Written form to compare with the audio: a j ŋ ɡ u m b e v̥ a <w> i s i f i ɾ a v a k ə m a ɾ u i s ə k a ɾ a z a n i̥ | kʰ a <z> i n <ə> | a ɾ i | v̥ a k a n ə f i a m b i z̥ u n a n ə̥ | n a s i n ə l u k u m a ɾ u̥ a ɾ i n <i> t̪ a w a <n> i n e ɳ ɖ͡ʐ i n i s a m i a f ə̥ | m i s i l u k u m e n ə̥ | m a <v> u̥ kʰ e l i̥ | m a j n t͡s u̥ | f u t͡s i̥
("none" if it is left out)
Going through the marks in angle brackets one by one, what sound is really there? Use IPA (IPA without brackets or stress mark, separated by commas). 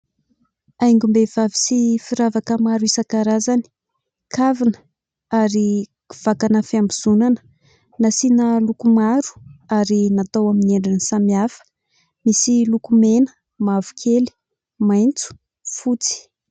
v, v, ə, a, m, v